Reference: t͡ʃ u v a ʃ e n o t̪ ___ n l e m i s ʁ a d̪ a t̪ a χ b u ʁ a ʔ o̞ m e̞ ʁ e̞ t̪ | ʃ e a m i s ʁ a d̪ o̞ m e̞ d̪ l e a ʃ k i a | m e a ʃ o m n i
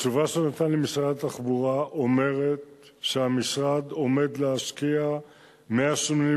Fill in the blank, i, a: a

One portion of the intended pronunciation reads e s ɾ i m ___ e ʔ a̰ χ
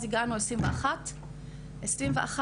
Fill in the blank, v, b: v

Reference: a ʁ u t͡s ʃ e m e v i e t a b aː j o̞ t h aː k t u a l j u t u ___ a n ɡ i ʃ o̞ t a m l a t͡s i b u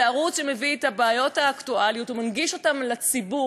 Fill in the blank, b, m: m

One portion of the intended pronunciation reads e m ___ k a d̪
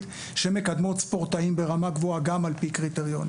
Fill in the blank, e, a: e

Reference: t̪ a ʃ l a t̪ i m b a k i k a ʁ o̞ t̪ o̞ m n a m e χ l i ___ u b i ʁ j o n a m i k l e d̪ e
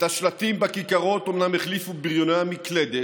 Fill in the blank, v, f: f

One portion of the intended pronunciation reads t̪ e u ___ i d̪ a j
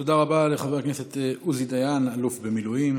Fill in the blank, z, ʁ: z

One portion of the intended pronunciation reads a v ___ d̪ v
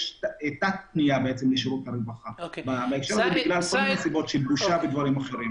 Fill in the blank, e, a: e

